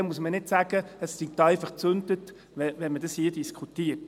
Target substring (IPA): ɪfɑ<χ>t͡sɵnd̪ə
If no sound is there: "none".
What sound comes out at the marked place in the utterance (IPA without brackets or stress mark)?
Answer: χ